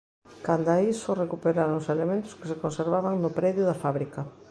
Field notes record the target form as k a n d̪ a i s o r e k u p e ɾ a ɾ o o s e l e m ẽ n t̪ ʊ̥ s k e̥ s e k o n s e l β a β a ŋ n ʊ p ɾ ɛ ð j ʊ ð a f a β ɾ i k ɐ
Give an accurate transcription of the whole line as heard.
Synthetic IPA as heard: k a n d̪ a i s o r e k u p e ɾ a ɾ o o s e l e m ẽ n t̪ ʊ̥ s k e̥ s e k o n s e ɾ β a β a ŋ n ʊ p ɾ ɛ ð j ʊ ð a f a β ɾ i k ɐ

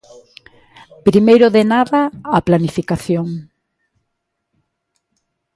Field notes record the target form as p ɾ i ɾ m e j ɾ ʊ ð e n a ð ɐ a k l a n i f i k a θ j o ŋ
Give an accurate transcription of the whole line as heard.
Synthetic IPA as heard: p ɾ i m e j ɾ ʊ ð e n a ð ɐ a p l a n i f i k a θ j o ŋ

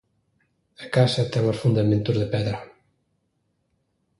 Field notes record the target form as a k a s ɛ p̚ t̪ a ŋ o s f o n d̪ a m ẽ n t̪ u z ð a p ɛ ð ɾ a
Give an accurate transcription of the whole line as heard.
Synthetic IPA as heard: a k a s ɛ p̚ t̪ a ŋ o s f u n d̪ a m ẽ n t̪ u z ð e p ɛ ð ɾ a

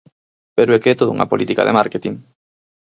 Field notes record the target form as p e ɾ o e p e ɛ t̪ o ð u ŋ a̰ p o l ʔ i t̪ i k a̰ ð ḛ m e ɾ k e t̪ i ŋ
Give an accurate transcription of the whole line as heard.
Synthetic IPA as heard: p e ɾ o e k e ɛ t̪ o ð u ŋ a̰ p o l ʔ i t̪ i k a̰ ð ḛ m a ɾ k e t̪ i ŋ

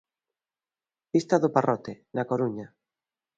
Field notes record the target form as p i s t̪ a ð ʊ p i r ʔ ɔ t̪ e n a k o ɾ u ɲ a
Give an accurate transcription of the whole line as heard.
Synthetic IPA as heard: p i s t̪ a ð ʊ p a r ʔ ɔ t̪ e n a k o ɾ u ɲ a

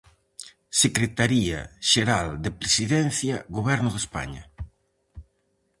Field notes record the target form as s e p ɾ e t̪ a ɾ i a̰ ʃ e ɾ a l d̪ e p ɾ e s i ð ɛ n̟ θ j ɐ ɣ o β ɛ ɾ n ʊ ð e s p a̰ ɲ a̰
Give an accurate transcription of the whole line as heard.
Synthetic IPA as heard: s e k ɾ e t̪ a ɾ i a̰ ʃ e ɾ a l d̪ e p ɾ e s i ð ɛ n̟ θ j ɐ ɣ o β ɛ ɾ n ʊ ð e s p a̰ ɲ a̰

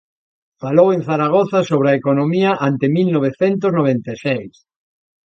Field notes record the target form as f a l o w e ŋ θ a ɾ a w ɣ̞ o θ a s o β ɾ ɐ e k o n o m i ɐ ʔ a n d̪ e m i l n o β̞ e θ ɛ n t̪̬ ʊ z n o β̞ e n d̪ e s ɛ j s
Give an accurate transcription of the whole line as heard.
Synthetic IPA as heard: f a l o w e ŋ θ a ɾ a ɣ̞ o θ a s o β ɾ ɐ e k o n o m i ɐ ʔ a n t̪ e m i l n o β̞ e θ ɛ n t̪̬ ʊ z n o β̞ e n t̪ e s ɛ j s

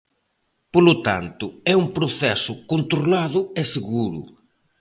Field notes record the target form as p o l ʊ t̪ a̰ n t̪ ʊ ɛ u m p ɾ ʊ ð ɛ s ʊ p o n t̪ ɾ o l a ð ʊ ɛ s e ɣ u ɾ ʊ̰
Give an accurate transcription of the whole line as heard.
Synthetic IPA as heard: p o l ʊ t̪ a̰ n t̪ ʊ ɛ u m p ɾ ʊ θ ɛ s ʊ k o n t̪ ɾ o l a ð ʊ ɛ s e ɣ u ɾ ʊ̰

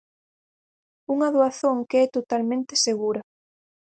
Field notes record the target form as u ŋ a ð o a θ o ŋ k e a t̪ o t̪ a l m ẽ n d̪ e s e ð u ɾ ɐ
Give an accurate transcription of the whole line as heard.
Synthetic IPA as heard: u ŋ a ð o a θ o ŋ k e ɛ t̪ o t̪ a l m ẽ n t̪ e s e ɣ u ɾ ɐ

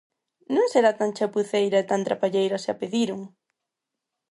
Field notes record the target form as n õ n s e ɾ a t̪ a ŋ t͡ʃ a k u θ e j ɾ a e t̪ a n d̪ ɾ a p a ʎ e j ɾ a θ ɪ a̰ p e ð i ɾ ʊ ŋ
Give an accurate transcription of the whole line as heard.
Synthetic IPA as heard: n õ ŋ s e ɾ a t̪ a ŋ t͡ʃ a p u θ e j ɾ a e t̪ a n t̪ ɾ a p a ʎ e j ɾ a s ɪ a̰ p e ð i ɾ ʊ ŋ

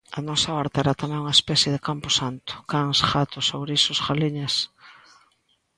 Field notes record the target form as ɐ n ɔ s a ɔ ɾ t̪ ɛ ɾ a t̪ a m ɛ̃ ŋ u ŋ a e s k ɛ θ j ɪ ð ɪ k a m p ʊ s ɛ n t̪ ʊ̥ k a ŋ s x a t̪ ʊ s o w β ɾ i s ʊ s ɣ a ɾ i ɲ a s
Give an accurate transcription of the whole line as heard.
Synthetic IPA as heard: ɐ n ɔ s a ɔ ɾ t̪ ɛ ɾ a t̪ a m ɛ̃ ŋ u ŋ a e s p ɛ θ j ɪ ð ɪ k a m p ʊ s a n t̪ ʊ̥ k a ŋ s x a t̪ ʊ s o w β ɾ i s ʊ s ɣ a l i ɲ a s

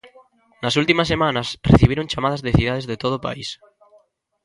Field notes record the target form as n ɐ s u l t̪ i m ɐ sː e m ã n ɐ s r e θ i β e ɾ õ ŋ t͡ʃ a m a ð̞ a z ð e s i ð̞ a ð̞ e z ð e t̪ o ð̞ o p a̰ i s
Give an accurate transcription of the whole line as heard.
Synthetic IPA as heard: n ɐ s u l t̪ i m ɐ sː e m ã n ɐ s r e θ i β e ɾ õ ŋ t͡ʃ a m a ð̞ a z ð e θ i ð̞ a ð̞ e z ð e t̪ o ð̞ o p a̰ i s

